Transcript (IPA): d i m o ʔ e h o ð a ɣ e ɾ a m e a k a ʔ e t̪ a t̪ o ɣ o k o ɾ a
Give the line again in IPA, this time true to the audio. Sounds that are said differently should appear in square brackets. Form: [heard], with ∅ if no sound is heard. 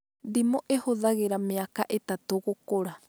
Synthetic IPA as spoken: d i m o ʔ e h o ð a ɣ e ɾ a m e a k a ʔ e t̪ a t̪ o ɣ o k o ɾ a